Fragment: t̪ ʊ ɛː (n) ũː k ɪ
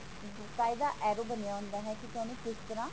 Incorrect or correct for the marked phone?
correct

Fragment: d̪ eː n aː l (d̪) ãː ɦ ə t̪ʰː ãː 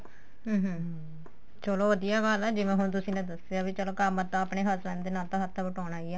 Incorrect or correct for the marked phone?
incorrect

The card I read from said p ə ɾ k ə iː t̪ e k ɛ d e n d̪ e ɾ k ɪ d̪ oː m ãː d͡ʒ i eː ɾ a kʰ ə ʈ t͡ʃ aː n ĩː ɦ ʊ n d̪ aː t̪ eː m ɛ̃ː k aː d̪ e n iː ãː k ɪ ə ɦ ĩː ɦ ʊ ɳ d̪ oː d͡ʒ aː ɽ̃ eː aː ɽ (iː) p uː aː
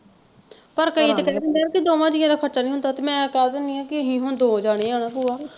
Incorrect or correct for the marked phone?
incorrect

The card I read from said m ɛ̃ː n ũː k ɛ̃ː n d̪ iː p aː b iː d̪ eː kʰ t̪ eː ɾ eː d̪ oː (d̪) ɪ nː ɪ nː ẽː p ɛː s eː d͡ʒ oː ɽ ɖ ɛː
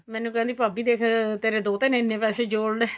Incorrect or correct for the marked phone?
incorrect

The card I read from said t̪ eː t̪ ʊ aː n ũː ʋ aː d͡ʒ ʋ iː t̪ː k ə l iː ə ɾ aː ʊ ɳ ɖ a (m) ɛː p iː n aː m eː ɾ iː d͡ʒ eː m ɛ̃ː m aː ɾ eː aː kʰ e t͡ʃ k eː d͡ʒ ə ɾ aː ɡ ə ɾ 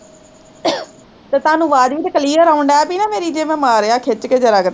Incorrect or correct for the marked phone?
incorrect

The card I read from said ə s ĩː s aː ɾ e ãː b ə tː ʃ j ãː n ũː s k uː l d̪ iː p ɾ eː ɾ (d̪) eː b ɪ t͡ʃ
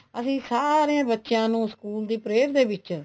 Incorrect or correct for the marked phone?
correct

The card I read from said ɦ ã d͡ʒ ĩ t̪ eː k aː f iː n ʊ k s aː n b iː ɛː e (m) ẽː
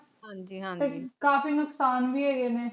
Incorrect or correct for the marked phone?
incorrect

